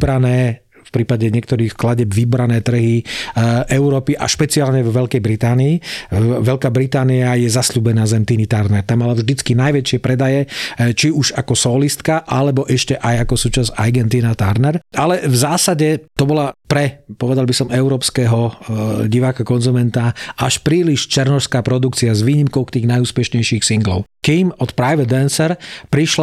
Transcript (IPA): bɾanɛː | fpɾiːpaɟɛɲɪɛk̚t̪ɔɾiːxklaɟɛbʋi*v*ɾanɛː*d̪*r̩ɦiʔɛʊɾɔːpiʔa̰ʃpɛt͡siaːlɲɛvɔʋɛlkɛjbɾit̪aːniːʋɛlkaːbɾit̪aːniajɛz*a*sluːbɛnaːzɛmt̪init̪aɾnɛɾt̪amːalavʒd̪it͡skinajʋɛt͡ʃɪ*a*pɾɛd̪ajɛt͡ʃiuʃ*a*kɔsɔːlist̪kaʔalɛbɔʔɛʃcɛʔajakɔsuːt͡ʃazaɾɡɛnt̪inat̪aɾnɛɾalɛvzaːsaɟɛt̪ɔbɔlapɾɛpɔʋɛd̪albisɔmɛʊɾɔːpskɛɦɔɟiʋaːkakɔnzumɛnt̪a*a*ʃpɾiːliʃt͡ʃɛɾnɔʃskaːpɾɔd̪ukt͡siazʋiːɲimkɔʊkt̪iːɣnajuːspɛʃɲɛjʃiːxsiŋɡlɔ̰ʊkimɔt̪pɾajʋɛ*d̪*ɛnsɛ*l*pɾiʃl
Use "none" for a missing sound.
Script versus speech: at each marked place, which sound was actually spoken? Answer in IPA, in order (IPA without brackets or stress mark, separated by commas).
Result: b, t̪, a, ɛ, a, a, d̪, ɾ